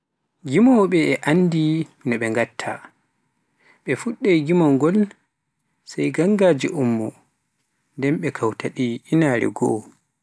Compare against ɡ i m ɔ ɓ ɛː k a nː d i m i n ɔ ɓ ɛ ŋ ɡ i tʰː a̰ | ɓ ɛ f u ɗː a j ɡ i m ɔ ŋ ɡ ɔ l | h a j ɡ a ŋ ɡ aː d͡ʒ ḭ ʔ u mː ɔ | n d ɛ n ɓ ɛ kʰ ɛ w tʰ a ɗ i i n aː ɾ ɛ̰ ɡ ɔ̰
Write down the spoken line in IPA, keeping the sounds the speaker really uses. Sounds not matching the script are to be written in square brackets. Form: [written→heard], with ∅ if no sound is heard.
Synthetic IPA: ɡ i m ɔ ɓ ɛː [k→ʔ] a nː d i m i n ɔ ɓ ɛ ŋ ɡ [i→a] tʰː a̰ | ɓ ɛ f u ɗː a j ɡ i m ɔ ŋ ɡ ɔ l | [h→s] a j ɡ a ŋ ɡ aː d͡ʒ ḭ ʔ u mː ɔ | n d ɛ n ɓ ɛ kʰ [ɛ→a] w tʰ a ɗ i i n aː ɾ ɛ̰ ɡ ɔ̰